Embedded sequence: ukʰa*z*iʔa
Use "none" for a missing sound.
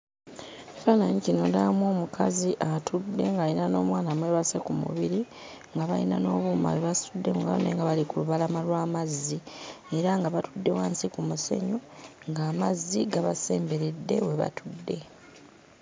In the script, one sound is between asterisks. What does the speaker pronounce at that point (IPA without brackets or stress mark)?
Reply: z